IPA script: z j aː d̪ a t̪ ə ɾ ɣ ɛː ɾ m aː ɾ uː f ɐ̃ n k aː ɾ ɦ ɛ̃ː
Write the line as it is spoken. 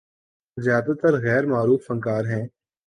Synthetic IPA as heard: z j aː d̪ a t̪ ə ɾ ɣ ɛː ɾ m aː ɾ uː f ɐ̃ ŋ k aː ɾ ɦ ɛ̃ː

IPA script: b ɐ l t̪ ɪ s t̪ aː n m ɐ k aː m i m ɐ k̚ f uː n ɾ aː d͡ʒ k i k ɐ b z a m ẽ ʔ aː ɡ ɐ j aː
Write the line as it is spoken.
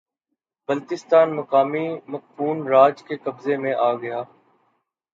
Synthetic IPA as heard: b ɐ l t̪ ɪ s t̪ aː n m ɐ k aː m i m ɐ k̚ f uː n ɾ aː d͡ʒ k e k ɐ b z e m ẽ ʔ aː ɡ ɐ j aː

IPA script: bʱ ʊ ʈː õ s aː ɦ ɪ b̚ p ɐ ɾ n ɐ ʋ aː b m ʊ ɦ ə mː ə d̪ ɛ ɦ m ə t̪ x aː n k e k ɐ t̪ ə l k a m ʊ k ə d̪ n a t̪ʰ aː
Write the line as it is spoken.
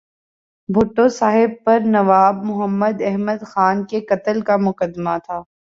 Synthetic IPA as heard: bʱ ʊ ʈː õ s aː ɦ ɪ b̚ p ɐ ɾ n ɐ ʋ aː b m ʊ ɦ ə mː ə d̪ ɛ ɦ m ə d̪ x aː n k e k ɐ t̪ ə l k a m ʊ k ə d̪ m a t̪ʰ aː

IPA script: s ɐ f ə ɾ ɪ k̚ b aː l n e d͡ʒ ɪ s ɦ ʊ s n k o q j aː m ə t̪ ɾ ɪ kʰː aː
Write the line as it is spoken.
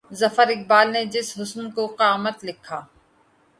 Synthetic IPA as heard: z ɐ f ə ɾ ɪ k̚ b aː l n e d͡ʒ ɪ s ɦ ʊ s n k o q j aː m ə t̪ l ɪ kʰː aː

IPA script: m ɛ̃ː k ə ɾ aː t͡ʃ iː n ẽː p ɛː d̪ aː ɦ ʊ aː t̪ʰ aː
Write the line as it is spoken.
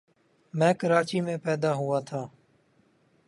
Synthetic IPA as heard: m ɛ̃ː k ə ɾ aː t͡ʃ iː m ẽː p ɛː d̪ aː ɦ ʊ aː t̪ʰ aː

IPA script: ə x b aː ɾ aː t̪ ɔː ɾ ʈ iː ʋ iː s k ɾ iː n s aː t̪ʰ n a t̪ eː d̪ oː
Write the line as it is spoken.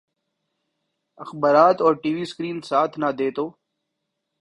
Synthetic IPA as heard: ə x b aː ɾ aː t̪ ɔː ɾ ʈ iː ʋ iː s k ɾ iː n s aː t̪ʰ n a d̪ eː t̪ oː

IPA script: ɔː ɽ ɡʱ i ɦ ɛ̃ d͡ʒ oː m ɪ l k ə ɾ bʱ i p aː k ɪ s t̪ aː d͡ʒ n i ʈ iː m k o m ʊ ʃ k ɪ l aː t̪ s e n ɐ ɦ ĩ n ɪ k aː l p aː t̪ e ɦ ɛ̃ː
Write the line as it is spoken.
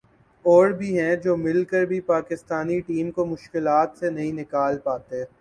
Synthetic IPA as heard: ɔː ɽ bʱ i ɦ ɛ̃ d͡ʒ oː m ɪ l k ə ɾ bʱ i p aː k ɪ s t̪ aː n i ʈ iː m k o m ʊ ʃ k ɪ l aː t̪ s e n ɐ ɦ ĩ n ɪ k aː l p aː t̪ e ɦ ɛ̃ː

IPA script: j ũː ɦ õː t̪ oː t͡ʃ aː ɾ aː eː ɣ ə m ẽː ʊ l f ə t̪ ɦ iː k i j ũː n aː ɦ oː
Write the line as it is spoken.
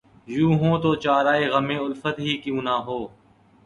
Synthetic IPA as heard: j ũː ɦ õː t̪ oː t͡ʃ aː ɾ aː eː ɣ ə m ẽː ʊ l f ə t̪ ɦ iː k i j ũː n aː ɦ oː

